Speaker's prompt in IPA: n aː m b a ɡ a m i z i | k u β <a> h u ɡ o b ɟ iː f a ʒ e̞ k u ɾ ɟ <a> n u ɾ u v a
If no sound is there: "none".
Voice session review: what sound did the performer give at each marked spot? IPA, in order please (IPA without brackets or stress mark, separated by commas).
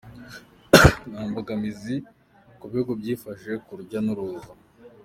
i, a